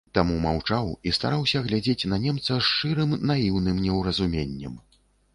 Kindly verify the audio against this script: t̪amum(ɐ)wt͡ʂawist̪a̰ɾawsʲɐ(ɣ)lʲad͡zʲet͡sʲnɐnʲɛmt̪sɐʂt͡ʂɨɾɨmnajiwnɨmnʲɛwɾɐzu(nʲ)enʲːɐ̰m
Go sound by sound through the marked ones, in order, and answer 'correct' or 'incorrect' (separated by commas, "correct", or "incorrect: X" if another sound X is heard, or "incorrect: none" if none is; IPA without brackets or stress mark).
incorrect: a, correct, incorrect: mʲ